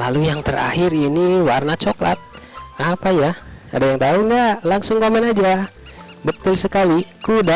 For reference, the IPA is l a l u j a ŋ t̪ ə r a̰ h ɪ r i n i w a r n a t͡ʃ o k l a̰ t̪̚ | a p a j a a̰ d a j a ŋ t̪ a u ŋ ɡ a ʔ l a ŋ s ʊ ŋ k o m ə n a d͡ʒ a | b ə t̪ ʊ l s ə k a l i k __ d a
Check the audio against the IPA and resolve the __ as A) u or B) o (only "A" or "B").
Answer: A